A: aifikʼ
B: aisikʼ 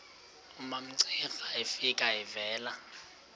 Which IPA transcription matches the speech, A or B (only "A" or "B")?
A